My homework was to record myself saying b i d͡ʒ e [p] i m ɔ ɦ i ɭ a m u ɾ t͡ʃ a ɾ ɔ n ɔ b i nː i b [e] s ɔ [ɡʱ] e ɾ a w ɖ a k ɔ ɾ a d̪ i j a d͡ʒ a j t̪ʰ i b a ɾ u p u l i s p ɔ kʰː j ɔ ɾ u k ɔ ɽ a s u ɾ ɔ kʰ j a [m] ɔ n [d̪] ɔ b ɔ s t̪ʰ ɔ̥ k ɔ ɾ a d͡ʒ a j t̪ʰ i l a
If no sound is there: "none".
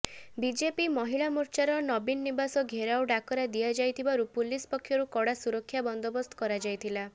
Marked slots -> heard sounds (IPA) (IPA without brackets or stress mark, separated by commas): p, a, ɡʱ, b, d̪